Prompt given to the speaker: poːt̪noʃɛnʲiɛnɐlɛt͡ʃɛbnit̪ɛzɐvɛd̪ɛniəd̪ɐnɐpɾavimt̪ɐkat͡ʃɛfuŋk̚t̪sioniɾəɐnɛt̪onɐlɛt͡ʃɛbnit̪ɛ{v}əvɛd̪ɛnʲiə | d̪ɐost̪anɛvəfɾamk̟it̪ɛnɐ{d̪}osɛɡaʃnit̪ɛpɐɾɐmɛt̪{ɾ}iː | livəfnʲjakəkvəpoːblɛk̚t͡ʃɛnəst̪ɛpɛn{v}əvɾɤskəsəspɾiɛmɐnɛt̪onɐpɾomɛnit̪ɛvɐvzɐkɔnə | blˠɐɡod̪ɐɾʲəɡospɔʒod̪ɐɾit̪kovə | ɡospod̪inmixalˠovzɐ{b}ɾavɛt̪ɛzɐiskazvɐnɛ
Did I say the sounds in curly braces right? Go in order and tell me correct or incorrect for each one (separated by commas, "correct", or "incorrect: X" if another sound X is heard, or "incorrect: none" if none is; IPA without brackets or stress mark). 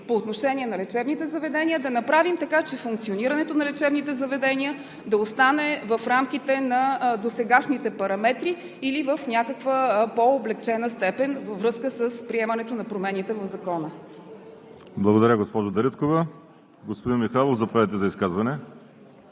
incorrect: z, correct, correct, correct, incorrect: p